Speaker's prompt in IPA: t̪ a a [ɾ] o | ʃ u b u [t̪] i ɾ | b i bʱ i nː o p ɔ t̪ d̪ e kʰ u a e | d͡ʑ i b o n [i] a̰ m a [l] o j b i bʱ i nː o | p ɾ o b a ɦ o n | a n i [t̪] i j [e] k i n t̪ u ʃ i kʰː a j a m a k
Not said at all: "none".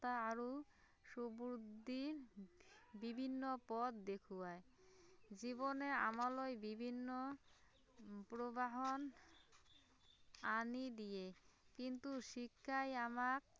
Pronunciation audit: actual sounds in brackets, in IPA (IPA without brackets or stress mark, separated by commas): ɾ, d̪, e, l, d̪, e